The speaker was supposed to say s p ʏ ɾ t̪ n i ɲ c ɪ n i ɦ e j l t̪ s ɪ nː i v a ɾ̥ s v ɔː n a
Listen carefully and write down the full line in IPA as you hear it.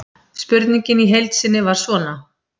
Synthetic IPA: s p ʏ ɾ t̪ n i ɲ c ɪ n i ɦ e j l t̪ s ɪ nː ɪ v a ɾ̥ s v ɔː n a